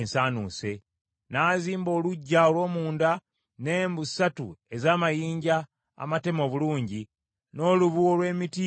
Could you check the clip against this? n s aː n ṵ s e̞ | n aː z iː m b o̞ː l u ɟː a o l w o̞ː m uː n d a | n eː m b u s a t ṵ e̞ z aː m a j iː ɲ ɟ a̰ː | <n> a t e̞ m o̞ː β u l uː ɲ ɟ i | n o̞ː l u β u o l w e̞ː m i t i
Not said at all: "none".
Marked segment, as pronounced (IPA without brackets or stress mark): m